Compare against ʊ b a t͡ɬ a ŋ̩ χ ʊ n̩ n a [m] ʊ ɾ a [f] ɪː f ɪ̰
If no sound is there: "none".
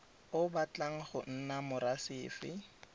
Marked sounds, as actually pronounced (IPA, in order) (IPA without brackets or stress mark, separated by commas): m, s